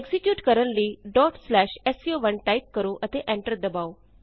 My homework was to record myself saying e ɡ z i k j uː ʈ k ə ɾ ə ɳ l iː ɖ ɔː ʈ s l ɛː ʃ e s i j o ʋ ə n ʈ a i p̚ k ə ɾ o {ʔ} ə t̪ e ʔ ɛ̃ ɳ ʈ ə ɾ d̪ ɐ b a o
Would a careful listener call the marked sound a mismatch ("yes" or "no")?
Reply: no